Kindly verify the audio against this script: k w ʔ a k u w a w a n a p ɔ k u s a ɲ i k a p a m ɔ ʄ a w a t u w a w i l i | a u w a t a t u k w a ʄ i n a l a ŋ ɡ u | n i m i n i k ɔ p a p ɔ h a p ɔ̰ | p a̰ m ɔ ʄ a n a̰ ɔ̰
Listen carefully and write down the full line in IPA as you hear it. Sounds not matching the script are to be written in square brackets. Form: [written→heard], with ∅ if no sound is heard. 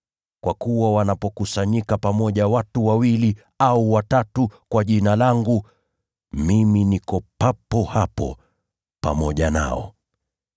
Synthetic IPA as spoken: k w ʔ a k u w a w a n a p ɔ k u s a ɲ i k a p a m ɔ ʄ a w a t u w a w i l i | a u w a t a t u k w a ʄ i n a l a ŋ ɡ u | [n→m] i m i n i k ɔ p a p ɔ h a p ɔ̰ | p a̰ m ɔ ʄ a n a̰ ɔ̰